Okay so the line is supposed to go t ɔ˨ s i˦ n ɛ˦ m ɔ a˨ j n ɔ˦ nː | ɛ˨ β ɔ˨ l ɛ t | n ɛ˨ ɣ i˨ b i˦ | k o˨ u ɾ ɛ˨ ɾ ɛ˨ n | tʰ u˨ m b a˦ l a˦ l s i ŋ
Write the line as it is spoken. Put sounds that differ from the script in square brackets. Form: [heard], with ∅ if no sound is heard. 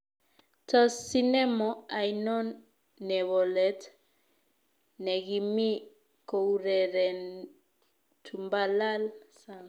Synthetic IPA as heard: t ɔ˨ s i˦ n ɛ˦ m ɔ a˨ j n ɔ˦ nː | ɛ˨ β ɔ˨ l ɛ t | n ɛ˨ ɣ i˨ [m] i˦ | k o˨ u ɾ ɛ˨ ɾ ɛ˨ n | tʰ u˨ m b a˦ l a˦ l s [a] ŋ